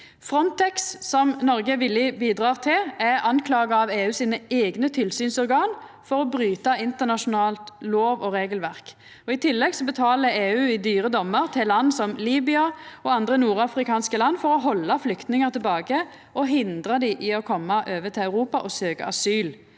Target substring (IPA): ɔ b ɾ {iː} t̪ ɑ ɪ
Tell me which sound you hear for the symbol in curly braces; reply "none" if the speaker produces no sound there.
yː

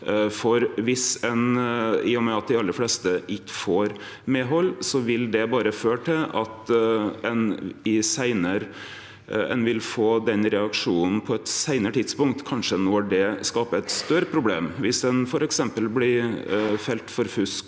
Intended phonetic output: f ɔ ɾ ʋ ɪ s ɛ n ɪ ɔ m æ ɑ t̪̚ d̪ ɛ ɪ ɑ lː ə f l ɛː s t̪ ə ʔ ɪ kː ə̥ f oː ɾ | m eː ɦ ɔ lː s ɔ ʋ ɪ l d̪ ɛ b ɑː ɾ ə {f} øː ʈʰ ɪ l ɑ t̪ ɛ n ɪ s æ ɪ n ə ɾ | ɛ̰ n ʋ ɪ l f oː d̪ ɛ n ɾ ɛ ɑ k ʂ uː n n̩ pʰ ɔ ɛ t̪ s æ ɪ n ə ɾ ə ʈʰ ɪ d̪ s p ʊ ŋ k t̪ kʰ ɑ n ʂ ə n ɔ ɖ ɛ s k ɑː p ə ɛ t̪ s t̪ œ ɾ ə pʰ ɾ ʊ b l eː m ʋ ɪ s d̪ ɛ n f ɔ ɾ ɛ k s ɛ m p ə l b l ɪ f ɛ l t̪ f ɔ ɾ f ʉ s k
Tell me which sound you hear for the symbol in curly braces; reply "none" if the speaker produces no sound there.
f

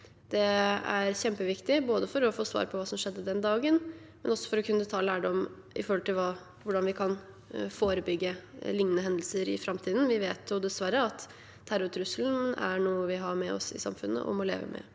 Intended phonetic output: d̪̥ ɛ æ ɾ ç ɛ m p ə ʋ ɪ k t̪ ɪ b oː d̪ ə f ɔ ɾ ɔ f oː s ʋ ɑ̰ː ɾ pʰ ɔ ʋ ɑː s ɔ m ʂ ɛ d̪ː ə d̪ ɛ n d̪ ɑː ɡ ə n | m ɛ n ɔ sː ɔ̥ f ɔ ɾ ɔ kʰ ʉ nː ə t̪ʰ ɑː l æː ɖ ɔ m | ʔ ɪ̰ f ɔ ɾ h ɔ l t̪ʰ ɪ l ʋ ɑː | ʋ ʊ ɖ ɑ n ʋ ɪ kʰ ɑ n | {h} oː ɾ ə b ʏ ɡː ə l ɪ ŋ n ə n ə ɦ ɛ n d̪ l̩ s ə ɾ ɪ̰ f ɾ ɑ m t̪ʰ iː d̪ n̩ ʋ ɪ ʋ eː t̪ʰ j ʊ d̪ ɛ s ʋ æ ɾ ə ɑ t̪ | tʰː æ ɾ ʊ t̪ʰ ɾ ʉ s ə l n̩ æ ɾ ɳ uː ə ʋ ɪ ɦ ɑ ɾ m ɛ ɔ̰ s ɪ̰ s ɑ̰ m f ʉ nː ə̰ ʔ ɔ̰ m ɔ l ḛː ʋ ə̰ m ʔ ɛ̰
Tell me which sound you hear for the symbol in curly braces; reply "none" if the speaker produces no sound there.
f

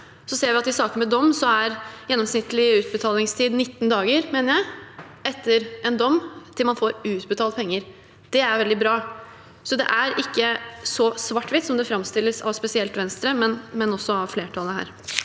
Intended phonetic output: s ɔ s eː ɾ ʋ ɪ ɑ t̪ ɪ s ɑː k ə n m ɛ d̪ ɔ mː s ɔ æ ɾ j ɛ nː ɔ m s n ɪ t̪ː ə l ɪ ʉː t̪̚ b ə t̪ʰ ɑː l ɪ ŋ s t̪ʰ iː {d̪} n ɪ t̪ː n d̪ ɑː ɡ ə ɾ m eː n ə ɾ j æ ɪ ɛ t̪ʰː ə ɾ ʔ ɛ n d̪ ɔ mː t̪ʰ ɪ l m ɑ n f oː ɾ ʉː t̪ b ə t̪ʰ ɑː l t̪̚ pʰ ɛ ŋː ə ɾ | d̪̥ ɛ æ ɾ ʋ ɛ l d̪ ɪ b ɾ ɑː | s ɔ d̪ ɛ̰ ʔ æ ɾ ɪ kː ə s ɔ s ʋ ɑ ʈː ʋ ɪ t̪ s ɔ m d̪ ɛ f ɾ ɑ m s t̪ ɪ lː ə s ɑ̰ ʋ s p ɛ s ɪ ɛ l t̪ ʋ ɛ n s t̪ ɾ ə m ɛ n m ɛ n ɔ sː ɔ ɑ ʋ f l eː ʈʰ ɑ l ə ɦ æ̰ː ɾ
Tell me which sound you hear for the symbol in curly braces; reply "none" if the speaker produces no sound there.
d̪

